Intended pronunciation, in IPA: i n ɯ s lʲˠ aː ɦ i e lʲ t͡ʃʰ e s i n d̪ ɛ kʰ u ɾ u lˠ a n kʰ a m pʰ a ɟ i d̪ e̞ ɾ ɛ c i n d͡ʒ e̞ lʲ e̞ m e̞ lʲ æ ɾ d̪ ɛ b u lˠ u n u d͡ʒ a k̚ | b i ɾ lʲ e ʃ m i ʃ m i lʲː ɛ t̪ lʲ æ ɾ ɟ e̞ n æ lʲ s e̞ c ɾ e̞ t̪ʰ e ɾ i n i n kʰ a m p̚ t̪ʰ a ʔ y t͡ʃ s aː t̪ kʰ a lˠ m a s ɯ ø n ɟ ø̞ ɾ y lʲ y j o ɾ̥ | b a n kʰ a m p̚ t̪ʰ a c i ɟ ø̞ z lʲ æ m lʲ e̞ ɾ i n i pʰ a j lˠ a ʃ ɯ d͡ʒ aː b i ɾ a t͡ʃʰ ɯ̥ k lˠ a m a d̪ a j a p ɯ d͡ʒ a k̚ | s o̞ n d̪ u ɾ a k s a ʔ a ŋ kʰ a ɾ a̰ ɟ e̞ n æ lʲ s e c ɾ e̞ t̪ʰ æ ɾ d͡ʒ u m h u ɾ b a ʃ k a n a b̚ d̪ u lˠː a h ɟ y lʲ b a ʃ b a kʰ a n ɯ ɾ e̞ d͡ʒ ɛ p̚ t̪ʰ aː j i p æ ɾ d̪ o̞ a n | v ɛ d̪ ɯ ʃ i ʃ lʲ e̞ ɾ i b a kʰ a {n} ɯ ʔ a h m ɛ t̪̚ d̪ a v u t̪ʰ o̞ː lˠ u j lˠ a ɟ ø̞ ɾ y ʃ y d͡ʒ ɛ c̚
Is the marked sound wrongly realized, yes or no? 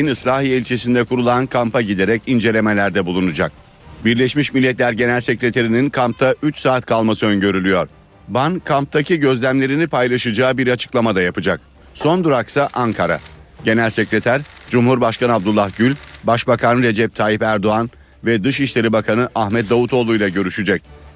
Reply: no